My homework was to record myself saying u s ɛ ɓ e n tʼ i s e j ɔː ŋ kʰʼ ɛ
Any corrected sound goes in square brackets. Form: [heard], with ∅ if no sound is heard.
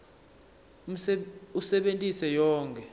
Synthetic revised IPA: u s ɛ ɓ e n tʼ i s [ɛ] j ɔː ŋ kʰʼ ɛ

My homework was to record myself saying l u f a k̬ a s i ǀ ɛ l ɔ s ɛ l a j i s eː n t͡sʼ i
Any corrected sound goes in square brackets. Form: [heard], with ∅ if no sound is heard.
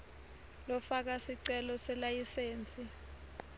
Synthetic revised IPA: l [ɔ] f a k̬ a s i ǀ ɛ l ɔ s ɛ l a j i s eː n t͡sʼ i

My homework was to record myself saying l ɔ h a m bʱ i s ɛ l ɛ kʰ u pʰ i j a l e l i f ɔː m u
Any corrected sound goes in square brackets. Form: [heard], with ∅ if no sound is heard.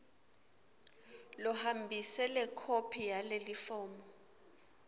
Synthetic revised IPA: l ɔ h a m bʱ i s ɛ l ɛ kʰ [o] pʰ i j a l e l i f ɔː m [ɔ]

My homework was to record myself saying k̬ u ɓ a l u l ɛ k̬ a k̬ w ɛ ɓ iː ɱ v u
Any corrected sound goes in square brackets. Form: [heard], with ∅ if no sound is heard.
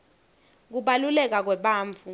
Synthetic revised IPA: k̬ u ɓ a l u l ɛ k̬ a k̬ w ɛ ɓ [aː] ɱ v u

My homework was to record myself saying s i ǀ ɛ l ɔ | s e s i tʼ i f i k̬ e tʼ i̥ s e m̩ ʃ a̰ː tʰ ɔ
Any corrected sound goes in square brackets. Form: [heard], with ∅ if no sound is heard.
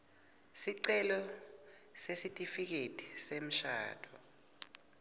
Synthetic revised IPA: s i ǀ ɛ l ɔ | s e s i tʼ i f i k̬ e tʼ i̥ s e m̩ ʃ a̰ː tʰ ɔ

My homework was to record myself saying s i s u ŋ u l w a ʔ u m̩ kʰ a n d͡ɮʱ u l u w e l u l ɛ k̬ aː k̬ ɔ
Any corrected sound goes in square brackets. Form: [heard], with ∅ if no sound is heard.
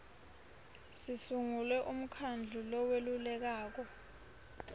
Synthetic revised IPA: s i s u ŋ u l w [ɛ] ʔ u m̩ kʰ a n d͡ɮʱ u l [ɔ] w e l u l ɛ k̬ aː k̬ ɔ

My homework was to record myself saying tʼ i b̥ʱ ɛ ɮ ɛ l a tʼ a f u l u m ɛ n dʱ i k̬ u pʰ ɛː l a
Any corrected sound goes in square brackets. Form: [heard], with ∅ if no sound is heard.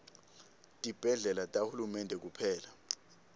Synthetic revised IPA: tʼ i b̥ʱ ɛ ɮ ɛ l a tʼ a [h] u l u m ɛ n dʱ [ɛ] k̬ u pʰ ɛː l a

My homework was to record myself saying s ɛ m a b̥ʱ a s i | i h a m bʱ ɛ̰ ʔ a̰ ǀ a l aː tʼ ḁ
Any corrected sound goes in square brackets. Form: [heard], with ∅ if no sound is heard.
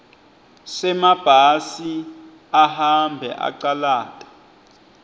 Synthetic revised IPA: s ɛ m a b̥ʱ a s i | [a] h a m bʱ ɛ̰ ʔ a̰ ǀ a l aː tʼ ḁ

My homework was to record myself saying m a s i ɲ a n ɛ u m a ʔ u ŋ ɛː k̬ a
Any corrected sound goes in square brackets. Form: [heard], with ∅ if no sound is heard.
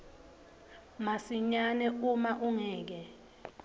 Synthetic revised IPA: m a s i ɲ a n ɛ u m a ʔ u ŋ ɛː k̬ [ɛ]

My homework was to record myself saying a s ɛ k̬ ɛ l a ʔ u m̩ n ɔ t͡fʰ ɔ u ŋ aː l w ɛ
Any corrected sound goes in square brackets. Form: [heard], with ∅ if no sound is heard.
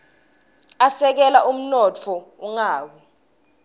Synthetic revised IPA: a s ɛ k̬ ɛ l a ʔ u m̩ n ɔ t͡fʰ ɔ u ŋ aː [∅] w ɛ

